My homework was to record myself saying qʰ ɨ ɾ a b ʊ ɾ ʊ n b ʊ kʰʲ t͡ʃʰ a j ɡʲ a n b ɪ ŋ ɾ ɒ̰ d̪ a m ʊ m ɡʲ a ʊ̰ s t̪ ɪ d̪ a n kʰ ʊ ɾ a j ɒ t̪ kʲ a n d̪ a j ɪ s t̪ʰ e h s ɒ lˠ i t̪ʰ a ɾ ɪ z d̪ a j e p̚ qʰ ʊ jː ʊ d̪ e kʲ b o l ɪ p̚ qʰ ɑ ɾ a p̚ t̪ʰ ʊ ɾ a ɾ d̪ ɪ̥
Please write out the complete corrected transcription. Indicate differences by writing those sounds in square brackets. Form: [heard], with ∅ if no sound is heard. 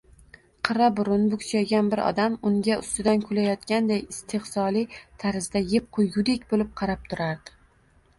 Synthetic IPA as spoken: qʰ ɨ ɾ a b ʊ ɾ ʊ n b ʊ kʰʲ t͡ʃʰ a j ɡʲ a n b ɪ [∅] ɾ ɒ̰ d̪ a m ʊ [ŋ] ɡʲ a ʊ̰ s t̪ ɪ d̪ a n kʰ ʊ [l] a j ɒ t̪ kʲ a n d̪ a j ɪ s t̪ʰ e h s ɒ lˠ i t̪ʰ a ɾ ɪ z d̪ a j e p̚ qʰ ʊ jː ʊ d̪ e kʲ b o l ɪ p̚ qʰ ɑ ɾ a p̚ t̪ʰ ʊ ɾ a ɾ d̪ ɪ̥